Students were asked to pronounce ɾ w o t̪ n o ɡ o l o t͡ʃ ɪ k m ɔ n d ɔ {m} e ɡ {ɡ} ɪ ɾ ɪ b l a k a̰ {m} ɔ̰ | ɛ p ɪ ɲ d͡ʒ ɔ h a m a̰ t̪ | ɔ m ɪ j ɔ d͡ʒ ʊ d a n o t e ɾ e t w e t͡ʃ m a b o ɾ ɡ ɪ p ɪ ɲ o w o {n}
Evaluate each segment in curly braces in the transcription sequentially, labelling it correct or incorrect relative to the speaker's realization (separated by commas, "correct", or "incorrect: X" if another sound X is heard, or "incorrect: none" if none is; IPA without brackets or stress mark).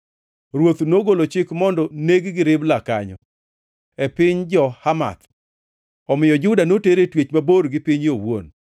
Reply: incorrect: n, correct, incorrect: ɲ, correct